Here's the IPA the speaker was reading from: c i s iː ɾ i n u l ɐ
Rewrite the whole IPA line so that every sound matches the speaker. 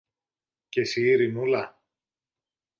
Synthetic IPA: c e s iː ɾ i n u l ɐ